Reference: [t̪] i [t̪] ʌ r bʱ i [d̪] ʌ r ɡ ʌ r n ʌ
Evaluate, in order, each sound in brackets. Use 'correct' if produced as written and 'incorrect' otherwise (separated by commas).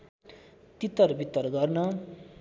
correct, correct, incorrect